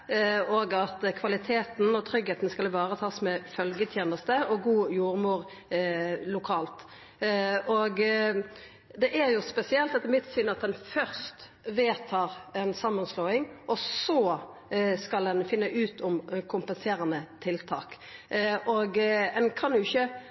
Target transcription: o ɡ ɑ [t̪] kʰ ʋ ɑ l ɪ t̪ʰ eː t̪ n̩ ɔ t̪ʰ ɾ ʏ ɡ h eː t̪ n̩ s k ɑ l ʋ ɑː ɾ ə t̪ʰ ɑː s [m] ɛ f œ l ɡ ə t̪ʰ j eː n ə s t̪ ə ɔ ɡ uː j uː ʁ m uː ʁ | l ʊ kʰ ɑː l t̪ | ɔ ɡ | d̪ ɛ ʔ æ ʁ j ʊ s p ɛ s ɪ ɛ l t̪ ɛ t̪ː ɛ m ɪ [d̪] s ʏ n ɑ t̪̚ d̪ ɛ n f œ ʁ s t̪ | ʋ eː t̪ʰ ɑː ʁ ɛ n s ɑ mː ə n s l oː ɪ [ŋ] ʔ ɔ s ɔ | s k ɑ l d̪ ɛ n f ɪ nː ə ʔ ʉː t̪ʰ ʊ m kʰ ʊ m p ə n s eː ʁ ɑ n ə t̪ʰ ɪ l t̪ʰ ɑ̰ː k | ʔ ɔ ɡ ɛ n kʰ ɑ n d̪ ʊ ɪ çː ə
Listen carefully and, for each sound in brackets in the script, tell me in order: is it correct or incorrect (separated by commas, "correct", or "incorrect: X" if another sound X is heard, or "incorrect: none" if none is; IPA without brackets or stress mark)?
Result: correct, correct, incorrect: t̪, correct